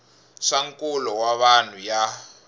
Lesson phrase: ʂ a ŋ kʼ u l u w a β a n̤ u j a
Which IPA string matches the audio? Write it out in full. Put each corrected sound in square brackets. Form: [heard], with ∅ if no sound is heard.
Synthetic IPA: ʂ a ŋ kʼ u l [ɔ] w a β a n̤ u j a

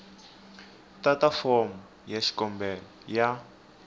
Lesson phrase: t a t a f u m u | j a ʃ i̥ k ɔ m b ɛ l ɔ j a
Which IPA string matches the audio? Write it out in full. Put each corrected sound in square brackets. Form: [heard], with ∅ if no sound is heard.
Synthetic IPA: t a t a f [ɔ] m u | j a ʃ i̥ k ɔ m b ɛ l ɔ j a

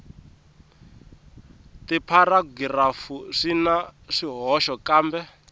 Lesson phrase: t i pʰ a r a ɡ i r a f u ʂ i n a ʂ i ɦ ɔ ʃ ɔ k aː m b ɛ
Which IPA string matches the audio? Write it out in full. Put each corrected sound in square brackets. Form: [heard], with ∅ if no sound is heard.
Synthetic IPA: t i pʰ a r a ɡ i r a f u ʂ i n a ʂ i ɦ ɔ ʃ ɔ k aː m b ɛ

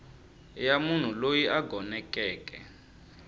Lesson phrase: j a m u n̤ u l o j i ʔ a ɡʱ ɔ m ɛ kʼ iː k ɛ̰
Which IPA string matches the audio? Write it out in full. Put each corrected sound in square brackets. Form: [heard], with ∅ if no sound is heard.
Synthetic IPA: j a m u n̤ u l o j i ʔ a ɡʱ ɔ [n] ɛ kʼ [ɛː] k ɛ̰

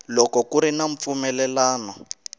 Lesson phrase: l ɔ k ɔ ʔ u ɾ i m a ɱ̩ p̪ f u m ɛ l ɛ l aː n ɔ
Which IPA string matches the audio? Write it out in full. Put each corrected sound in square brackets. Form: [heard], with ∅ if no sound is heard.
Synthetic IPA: l ɔ k ɔ [k] u ɾ i [n] a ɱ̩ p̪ f u m ɛ l ɛ l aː n ɔ

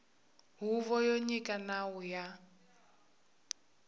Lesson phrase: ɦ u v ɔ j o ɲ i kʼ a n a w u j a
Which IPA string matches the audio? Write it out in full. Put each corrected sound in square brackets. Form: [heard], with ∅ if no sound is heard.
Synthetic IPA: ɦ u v ɔ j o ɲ i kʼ a n a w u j a

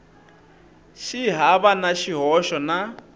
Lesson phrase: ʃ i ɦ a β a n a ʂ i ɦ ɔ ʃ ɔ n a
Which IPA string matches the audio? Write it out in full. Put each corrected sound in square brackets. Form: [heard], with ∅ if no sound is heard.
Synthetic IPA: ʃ i ɦ a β a n a [ʃ] i ɦ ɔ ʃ ɔ n a

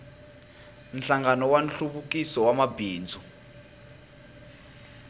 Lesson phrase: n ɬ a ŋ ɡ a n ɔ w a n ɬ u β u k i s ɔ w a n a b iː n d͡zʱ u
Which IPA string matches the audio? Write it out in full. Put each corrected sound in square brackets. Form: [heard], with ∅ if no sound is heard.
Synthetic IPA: n ɬ a ŋ ɡ a n ɔ w a n ɬ u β u k i s ɔ w a [m] a b iː n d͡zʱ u

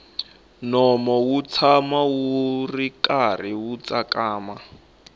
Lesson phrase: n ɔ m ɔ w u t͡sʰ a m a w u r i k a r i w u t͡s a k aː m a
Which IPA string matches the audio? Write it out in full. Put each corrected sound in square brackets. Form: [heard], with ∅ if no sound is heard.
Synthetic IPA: n ɔ m ɔ w u t͡sʰ a m a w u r i k a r i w u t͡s a k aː m a

